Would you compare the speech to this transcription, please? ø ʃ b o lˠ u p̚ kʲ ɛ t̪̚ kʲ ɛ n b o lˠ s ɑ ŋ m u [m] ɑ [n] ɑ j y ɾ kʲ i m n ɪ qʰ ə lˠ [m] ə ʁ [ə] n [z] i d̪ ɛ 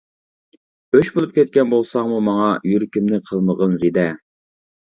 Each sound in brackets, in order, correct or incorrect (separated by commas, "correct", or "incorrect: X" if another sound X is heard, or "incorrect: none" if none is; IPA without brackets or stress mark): correct, incorrect: ŋ, correct, correct, correct